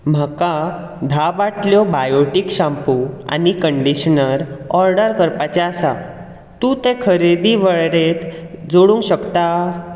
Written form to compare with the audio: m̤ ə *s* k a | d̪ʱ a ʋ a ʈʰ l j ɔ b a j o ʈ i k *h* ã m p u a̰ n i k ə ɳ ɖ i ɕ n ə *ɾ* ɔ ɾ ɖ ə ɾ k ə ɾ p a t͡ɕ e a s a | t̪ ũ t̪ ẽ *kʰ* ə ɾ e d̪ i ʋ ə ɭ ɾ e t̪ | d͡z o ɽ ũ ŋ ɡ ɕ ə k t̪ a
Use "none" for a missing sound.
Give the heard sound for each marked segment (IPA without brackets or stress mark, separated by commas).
none, ɕ, ɾ, kʰ